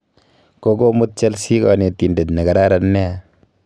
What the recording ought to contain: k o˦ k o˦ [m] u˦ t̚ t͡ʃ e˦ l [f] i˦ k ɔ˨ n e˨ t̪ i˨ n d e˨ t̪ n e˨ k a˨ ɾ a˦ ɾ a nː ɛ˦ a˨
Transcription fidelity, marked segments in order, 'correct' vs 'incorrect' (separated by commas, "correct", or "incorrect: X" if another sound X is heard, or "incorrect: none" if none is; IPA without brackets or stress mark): correct, incorrect: s